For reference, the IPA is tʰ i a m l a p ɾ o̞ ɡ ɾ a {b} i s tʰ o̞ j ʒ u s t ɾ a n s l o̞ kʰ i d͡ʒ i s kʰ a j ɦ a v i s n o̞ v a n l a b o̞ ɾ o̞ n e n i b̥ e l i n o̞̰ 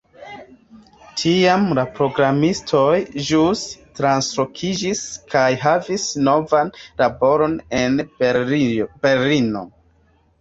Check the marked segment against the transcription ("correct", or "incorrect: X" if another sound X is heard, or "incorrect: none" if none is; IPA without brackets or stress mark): incorrect: m